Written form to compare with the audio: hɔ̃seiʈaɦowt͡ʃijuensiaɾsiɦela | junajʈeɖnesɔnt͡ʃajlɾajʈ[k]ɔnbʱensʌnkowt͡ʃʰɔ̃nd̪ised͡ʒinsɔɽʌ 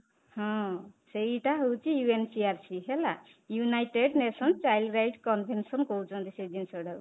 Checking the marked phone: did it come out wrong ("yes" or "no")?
no